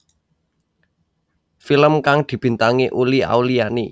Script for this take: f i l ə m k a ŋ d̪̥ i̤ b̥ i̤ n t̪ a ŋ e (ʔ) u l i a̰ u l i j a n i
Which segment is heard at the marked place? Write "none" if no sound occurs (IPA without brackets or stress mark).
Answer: ʔ